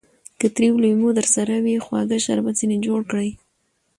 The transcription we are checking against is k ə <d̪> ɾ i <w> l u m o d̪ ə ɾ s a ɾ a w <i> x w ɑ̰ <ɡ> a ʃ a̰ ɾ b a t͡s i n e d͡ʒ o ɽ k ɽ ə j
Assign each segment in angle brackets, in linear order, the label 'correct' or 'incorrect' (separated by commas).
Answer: incorrect, correct, correct, correct